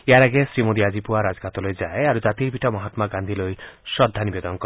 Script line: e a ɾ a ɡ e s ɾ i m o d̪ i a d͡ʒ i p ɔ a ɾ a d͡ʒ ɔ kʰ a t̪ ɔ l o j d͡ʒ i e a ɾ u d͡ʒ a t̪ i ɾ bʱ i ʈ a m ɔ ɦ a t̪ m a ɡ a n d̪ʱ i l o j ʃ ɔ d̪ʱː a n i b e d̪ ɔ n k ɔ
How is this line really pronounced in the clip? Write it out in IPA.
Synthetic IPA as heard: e a ɾ a ɡ e s ɾ i m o d̪ i a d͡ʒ i p u a ɾ a d͡ʒ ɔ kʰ a t̪ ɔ l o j d͡ʒ a e a ɾ u d͡ʒ a t̪ i ɾ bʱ i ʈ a m ɔ ɦ a t̪ m a ɡ a n d̪ʱ i l o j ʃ ɔ d̪ʱː a n i b e d̪ ɔ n k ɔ